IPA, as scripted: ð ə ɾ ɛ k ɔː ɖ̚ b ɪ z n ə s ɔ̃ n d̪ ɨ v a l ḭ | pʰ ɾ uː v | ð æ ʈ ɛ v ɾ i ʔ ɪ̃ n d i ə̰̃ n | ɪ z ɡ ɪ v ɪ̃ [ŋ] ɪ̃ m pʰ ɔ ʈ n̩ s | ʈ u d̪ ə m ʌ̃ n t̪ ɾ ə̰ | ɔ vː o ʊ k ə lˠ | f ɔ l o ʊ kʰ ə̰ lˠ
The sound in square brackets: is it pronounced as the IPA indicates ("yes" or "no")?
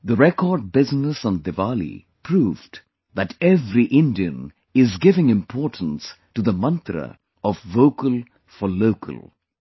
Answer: yes